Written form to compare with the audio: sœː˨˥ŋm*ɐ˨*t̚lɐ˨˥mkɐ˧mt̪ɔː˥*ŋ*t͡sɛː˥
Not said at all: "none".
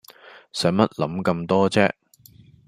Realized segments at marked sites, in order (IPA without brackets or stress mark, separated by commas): ɐ˥, none